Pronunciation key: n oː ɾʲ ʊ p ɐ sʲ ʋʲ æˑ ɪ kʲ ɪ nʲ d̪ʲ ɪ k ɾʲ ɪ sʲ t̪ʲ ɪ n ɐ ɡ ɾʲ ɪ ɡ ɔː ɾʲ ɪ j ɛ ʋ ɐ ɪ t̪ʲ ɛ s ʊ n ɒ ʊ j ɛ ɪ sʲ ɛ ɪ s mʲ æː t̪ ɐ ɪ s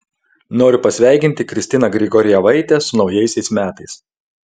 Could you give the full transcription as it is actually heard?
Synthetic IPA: n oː ɾʲ ʊ p ɐ sʲ ʋʲ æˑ ɪ kʲ ɪ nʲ t̪ʲ ɪ k ɾʲ ɪ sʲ t̪ʲ ɪ n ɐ ɡ ɾʲ ɪ ɡ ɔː ɾʲ ɪ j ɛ ʋ ɐ ɪ t̪ʲ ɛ s ʊ n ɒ ʊ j ɛ ɪ sʲ ɛ ɪ s mʲ æː t̪ ɐ ɪ s